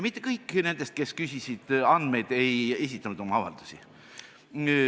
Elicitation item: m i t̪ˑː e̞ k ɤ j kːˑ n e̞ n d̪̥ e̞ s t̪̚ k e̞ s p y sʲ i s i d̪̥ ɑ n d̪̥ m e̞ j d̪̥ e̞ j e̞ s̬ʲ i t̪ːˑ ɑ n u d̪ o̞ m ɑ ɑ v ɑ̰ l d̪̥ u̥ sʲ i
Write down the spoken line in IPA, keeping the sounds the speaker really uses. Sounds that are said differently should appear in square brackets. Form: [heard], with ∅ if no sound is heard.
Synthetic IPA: m i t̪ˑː e̞ k ɤ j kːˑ n e̞ n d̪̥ e̞ s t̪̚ k e̞ s [k] y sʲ i s i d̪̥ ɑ n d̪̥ m e̞ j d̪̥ e̞ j e̞ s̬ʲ i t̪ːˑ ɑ n u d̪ o̞ m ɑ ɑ v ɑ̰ l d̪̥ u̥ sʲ i